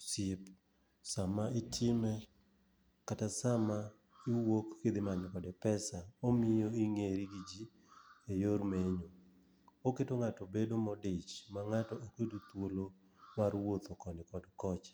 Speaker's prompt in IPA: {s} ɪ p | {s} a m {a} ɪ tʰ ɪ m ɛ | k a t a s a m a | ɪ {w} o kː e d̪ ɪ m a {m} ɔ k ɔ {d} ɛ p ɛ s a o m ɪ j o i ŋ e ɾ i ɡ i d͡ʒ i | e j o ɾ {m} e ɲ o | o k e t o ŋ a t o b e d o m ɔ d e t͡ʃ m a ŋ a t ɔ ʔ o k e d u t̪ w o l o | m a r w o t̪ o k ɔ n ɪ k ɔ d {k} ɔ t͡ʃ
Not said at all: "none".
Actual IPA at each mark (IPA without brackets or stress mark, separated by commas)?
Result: s, s, a, w, ɲ, d, m, k